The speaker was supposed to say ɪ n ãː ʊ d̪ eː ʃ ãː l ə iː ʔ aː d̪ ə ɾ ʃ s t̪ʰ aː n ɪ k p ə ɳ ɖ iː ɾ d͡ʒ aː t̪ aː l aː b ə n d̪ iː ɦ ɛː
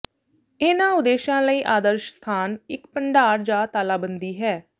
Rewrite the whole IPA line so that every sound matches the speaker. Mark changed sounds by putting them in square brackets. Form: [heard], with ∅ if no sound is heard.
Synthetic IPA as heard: ɪ n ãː ʊ d̪ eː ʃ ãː l ə iː ʔ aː d̪ ə ɾ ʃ s t̪ʰ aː n ɪ k p ə ɳ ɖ [aː] ɾ d͡ʒ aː t̪ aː l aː b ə n d̪ iː ɦ ɛː